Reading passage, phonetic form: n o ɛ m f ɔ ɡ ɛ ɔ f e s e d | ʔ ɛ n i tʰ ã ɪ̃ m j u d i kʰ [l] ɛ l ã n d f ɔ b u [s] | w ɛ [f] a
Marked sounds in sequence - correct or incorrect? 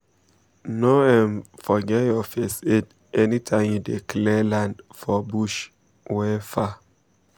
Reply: correct, incorrect: ʃ, correct

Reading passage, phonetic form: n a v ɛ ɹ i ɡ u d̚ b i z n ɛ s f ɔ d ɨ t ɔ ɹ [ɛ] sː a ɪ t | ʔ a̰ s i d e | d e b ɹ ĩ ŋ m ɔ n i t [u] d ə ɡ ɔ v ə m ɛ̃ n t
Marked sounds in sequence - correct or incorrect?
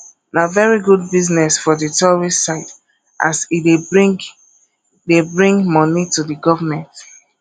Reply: incorrect: i, correct

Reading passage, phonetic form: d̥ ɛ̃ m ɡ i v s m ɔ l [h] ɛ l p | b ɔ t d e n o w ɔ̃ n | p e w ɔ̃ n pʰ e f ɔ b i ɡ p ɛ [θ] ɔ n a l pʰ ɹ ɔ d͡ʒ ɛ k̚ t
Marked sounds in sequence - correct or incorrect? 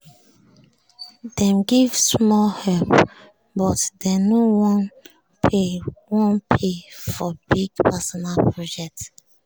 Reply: correct, incorrect: s

